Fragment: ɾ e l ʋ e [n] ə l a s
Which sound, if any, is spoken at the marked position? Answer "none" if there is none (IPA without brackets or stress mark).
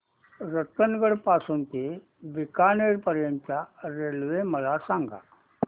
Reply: m